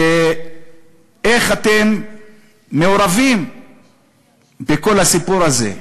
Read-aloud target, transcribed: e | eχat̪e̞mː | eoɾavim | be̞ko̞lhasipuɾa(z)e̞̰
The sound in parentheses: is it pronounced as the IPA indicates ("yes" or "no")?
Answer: yes